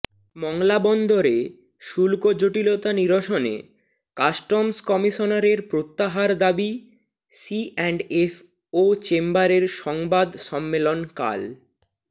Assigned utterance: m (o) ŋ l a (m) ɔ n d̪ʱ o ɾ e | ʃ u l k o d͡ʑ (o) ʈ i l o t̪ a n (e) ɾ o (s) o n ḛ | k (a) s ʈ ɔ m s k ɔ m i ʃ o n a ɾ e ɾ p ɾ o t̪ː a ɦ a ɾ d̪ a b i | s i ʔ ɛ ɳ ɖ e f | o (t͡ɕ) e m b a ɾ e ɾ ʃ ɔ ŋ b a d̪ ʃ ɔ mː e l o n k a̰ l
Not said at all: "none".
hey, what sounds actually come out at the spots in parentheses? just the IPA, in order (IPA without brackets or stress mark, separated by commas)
ɔ, b, o, i, ʃ, a, t͡ɕ